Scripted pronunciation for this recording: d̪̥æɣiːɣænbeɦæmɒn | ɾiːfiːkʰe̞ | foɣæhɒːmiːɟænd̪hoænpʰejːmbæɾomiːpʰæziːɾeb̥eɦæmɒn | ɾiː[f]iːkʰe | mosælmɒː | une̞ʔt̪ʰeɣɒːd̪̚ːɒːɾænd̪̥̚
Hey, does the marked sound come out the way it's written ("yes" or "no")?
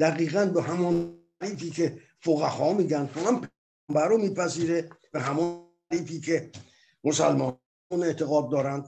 yes